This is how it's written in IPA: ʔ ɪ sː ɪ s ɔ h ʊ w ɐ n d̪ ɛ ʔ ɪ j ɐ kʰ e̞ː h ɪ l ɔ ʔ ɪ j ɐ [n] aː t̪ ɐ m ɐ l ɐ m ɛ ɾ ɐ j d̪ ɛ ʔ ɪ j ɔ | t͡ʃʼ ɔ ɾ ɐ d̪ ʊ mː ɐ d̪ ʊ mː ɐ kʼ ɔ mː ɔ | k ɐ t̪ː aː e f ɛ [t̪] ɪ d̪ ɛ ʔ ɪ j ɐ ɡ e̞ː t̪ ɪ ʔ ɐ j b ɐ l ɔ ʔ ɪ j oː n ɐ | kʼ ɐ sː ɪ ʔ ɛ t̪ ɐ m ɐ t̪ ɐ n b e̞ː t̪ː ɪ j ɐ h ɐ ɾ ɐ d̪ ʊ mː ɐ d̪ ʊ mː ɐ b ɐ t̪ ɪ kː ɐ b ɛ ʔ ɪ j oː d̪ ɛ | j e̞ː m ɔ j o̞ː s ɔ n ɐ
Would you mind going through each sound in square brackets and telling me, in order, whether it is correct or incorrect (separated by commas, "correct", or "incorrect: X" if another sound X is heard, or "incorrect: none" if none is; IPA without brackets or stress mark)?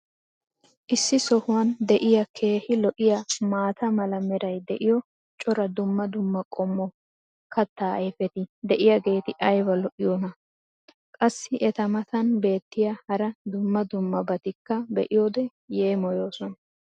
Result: incorrect: m, correct